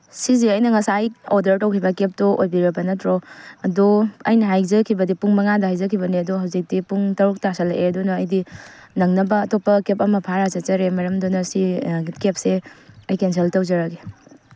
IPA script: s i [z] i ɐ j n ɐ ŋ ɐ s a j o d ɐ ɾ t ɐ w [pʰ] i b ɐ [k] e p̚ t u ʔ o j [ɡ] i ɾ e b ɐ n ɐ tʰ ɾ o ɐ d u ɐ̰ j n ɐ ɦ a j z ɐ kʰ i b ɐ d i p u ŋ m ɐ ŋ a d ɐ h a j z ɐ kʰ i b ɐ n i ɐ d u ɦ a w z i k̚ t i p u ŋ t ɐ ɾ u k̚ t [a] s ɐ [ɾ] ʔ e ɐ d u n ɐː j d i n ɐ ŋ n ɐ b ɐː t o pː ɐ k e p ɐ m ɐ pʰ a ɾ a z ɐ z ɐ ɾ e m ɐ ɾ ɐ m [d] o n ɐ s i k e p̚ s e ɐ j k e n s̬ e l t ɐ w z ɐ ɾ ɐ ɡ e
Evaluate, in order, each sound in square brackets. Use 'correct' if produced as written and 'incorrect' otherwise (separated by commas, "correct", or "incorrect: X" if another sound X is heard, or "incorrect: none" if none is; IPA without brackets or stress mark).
correct, incorrect: kʰ, correct, incorrect: b, correct, incorrect: l, correct